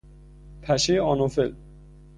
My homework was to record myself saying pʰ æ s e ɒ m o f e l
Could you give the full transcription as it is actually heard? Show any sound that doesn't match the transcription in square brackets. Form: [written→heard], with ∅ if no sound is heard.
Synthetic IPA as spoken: pʰ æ [s→ʃ] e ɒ [m→n] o f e l